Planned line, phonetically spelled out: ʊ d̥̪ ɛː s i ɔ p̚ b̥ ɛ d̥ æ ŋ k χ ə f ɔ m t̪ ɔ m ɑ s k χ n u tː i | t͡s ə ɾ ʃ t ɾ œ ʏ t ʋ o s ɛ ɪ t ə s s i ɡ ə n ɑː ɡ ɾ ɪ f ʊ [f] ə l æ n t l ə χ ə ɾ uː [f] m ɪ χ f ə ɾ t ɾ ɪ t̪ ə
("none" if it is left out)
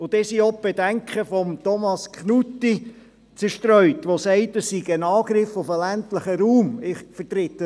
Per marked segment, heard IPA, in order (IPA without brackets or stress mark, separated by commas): f, none